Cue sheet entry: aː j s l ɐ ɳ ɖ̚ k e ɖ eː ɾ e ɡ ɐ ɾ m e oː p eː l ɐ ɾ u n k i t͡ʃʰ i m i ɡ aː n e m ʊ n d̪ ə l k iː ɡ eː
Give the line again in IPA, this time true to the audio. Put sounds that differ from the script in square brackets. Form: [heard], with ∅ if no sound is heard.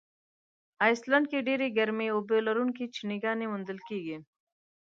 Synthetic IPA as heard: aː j s l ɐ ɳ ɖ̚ k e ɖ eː ɾ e ɡ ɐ ɾ m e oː [b] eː l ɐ ɾ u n k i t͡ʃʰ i [n] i ɡ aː n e m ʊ n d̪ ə l k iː ɡ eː